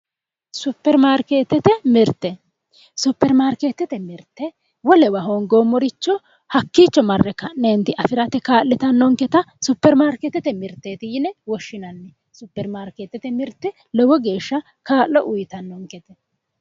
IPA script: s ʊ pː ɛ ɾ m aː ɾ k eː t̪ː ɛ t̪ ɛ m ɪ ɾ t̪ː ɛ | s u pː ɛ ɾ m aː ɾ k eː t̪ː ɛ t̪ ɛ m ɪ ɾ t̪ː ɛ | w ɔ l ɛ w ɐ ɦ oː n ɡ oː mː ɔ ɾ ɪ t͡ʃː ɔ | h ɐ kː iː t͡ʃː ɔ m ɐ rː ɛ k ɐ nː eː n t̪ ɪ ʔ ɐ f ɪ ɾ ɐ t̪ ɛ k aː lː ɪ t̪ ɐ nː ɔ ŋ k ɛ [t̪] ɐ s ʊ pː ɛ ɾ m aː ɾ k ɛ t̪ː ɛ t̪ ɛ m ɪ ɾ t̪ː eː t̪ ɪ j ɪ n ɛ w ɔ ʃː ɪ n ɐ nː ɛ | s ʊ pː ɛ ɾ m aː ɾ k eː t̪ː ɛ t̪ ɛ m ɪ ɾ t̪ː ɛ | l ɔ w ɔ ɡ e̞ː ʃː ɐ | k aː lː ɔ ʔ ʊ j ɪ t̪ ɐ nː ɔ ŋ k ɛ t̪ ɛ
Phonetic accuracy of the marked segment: correct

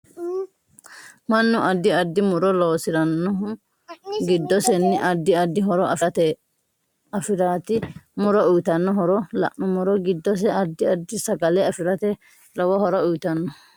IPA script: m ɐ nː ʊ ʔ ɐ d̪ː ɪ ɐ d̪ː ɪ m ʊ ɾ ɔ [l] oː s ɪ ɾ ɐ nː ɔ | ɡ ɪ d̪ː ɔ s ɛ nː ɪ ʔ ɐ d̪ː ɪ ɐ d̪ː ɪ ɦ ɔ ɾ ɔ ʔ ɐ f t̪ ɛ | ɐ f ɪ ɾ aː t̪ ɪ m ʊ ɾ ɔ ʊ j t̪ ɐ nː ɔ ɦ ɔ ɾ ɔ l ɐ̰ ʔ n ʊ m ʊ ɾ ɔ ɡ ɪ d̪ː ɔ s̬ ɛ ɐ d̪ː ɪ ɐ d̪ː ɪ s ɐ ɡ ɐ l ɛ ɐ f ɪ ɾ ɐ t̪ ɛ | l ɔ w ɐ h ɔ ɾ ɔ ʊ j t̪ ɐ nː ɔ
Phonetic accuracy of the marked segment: correct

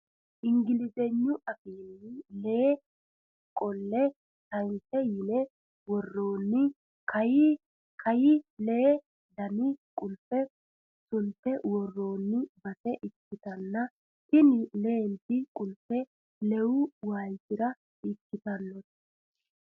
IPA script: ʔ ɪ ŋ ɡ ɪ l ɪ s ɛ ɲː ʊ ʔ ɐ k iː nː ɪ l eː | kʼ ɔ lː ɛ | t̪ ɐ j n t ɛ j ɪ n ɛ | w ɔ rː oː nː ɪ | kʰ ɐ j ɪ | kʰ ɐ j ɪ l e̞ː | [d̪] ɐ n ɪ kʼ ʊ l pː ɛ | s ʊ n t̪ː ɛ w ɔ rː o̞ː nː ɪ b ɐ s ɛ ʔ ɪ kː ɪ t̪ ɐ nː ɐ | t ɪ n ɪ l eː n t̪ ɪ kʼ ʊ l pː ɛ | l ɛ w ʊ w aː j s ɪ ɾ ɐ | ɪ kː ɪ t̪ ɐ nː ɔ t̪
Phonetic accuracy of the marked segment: correct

